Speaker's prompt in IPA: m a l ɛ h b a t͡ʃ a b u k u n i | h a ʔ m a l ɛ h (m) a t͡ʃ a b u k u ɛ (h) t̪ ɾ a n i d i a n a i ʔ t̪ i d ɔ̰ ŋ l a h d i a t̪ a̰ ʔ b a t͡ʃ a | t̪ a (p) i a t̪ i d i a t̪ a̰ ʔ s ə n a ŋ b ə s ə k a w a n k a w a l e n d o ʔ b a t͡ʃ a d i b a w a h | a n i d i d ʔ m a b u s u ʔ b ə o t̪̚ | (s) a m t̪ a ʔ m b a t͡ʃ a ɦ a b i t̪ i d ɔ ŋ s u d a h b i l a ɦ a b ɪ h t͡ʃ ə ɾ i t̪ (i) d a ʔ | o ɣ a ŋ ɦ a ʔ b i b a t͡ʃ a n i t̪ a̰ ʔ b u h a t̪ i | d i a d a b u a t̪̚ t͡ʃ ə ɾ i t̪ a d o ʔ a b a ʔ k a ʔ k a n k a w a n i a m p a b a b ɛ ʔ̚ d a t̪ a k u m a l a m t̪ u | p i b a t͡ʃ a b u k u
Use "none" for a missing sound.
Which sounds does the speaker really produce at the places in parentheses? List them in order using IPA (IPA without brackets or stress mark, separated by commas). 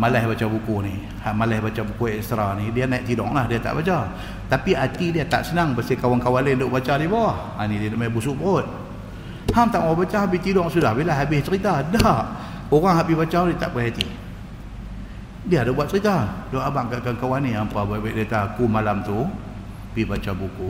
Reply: b, s, p, h, a